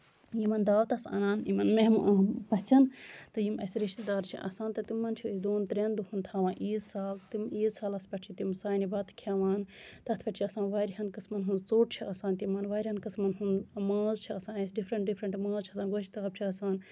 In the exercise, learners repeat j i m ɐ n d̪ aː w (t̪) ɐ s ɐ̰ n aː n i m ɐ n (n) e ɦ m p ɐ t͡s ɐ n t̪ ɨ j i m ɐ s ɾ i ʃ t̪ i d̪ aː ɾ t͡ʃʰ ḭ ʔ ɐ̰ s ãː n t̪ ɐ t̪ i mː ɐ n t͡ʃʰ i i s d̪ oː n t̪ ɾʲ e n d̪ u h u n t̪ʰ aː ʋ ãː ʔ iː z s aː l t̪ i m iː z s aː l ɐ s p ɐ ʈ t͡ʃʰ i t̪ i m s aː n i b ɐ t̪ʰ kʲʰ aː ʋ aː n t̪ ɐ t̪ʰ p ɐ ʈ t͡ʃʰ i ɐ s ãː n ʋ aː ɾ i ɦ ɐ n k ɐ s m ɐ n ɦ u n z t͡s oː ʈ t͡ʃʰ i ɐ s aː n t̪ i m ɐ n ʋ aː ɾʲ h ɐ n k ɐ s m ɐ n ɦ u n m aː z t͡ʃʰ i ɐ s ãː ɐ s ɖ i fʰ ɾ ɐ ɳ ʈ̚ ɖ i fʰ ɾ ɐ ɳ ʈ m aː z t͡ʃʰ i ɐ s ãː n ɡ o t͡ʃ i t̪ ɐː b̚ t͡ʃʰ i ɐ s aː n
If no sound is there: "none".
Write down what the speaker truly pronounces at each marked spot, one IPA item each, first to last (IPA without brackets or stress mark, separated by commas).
t̪, m